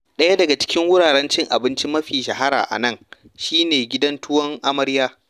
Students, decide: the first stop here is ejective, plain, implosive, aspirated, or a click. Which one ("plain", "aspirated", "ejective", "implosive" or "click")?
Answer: implosive